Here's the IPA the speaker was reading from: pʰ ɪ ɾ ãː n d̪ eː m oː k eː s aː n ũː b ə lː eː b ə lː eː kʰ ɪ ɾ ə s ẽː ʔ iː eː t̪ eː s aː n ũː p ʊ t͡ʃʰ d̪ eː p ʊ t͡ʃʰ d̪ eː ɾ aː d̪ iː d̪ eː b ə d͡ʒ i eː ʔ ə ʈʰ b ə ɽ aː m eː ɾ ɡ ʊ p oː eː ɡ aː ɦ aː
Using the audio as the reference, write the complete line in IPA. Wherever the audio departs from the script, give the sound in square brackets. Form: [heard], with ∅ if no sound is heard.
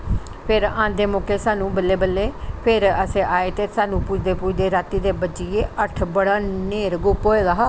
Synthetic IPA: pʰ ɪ ɾ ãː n d̪ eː m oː k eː s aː n ũː b ə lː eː b ə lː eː [pʰ] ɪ ɾ ə s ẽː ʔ [aː] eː t̪ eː s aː n ũː p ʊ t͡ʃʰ d̪ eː p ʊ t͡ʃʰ d̪ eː ɾ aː [t̪] iː d̪ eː b ə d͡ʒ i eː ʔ ə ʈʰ b ə ɽ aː [n] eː ɾ ɡ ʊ p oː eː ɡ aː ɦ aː

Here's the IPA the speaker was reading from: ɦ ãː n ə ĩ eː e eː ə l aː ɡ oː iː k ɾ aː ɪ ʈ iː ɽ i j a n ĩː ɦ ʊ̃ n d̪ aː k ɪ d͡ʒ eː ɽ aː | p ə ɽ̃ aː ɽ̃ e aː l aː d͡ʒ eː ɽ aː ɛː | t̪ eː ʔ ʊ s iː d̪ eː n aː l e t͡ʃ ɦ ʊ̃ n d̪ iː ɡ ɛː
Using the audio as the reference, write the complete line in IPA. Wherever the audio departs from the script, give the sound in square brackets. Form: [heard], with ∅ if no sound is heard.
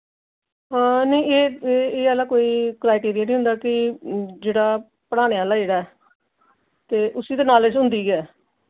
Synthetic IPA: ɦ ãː n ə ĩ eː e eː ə l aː [k] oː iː k ɾ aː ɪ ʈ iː [ɾ] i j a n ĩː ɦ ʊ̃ n d̪ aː k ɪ d͡ʒ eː ɽ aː | p ə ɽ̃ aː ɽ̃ e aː l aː d͡ʒ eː ɽ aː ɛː | t̪ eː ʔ ʊ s iː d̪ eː n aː l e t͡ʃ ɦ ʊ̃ n d̪ iː ɡ ɛː

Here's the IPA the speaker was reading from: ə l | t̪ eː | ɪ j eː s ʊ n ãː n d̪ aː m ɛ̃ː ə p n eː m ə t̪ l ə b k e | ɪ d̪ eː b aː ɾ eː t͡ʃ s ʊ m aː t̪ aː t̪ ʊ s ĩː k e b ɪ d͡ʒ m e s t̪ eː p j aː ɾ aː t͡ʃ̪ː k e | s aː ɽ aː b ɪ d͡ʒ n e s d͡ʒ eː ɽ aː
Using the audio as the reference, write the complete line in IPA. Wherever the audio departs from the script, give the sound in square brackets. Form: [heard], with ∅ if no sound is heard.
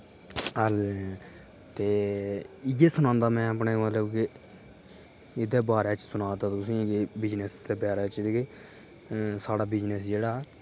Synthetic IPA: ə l | t̪ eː | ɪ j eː s ʊ n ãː n d̪ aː m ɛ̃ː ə p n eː m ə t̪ l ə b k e | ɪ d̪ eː b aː ɾ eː t͡ʃ s ʊ [n] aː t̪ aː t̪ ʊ s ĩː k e b ɪ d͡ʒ [n] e s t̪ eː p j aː ɾ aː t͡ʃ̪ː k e | s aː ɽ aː b ɪ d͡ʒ n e s d͡ʒ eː ɽ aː

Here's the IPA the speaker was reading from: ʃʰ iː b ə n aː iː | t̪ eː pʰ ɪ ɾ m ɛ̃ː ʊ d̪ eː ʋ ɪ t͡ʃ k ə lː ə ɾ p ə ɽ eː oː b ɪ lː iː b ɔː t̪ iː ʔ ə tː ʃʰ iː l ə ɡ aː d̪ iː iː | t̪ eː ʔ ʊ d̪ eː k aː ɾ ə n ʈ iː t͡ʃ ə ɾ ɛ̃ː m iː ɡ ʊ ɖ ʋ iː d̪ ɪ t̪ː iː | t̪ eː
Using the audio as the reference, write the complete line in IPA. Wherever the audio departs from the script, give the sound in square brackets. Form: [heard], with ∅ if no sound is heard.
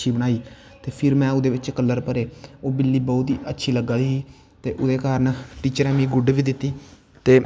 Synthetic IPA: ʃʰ iː b ə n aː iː | t̪ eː pʰ ɪ ɾ m ɛ̃ː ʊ d̪ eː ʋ ɪ t͡ʃ k ə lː ə ɾ p ə [ɾ] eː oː b ɪ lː iː b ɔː t̪ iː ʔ ə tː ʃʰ iː l ə ɡ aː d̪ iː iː | t̪ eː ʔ ʊ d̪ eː k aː ɾ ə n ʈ iː t͡ʃ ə ɾ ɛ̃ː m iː ɡ ʊ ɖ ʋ iː d̪ ɪ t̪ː iː | t̪ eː

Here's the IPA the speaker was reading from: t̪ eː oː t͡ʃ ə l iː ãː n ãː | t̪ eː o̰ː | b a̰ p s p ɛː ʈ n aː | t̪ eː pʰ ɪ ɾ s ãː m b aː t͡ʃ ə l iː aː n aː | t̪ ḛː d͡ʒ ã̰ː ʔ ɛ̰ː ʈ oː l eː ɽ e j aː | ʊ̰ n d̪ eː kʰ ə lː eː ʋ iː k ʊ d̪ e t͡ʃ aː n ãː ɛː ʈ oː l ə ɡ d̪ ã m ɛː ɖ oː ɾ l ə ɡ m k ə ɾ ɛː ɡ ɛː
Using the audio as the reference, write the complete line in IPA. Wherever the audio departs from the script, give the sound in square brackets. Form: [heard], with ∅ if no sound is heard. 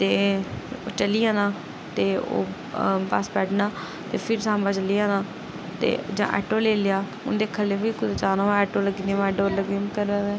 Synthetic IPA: t̪ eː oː t͡ʃ ə l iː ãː n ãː | t̪ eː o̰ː | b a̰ [∅] s p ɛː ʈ n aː | t̪ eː pʰ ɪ ɾ s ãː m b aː t͡ʃ ə l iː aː n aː | t̪ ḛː d͡ʒ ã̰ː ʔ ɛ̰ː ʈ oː l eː [l] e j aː | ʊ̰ n d̪ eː kʰ ə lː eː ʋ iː k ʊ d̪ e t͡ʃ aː n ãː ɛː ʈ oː l ə ɡ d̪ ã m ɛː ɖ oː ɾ l ə ɡ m k ə ɾ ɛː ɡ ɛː

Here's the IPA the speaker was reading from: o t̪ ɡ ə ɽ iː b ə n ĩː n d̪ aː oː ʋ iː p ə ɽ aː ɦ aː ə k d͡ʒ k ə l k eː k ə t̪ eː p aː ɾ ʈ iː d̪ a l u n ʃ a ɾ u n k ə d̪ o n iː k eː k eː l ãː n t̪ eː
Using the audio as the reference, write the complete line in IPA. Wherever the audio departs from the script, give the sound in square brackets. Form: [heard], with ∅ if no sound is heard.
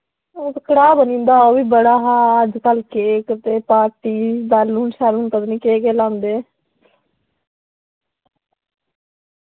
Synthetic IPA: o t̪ [k] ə ɽ [aː] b ə n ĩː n d̪ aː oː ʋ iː [b] ə ɽ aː ɦ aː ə [∅] d͡ʒ k ə l k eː k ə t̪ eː p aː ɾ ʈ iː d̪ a l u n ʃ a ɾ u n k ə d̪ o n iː k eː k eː l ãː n [d̪] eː

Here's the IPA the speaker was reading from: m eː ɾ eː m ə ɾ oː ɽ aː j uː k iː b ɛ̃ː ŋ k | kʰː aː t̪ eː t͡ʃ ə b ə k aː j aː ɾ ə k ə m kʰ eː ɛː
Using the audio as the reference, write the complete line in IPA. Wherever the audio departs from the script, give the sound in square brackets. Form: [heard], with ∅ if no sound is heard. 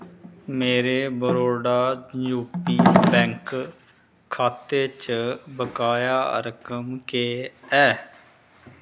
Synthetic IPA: m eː ɾ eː [b] ə ɾ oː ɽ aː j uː [p] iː b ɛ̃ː ŋ k | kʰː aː t̪ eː t͡ʃ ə b ə k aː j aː ɾ ə k ə m [k] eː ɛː

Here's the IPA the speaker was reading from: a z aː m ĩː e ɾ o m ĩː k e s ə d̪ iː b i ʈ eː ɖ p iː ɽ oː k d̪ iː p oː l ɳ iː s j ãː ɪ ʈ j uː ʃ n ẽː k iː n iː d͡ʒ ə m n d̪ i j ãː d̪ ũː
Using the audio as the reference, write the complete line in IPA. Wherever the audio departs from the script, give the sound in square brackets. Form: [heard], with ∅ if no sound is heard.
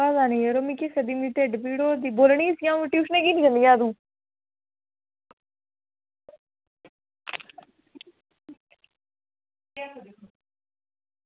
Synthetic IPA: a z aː [n] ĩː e ɾ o m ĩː k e s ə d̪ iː [m] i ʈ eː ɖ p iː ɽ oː [∅] d̪ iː [b] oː l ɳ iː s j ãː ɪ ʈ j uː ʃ n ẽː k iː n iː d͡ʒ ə [∅] n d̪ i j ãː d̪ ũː

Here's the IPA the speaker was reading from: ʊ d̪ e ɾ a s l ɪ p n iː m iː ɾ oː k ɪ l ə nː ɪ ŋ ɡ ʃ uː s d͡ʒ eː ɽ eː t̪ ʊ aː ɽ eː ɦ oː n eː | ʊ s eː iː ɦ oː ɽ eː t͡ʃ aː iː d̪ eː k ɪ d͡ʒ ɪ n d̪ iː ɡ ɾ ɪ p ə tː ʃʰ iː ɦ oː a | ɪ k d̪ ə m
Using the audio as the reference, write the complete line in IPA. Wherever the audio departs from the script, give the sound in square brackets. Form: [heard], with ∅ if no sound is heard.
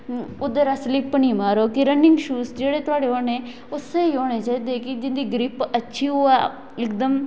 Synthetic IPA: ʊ d̪ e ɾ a s l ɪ p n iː m [aː] ɾ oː k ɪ [ɾ] ə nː ɪ ŋ ɡ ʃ uː s d͡ʒ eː ɽ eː t̪ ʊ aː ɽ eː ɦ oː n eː | ʊ s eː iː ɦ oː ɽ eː t͡ʃ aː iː d̪ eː k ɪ d͡ʒ ɪ n d̪ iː ɡ ɾ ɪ p ə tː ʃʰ iː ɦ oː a | ɪ k d̪ ə m

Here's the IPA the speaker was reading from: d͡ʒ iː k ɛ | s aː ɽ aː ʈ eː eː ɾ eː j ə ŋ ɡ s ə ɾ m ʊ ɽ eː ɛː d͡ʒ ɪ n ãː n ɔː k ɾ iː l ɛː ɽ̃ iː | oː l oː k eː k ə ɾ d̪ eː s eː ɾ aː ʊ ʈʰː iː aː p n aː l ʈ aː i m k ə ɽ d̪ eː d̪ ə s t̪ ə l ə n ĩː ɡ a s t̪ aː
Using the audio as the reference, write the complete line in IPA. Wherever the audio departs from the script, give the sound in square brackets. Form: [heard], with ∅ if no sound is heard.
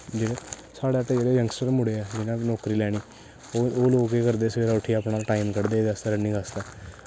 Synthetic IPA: d͡ʒ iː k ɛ | s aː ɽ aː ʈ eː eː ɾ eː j ə ŋ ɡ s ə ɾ m ʊ ɽ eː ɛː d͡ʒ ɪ n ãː n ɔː k ɾ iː l ɛː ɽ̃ iː | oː l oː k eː k ə ɾ d̪ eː s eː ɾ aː ʊ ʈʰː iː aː p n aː l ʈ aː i m k ə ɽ d̪ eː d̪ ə s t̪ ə [ɾ] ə n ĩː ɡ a s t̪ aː

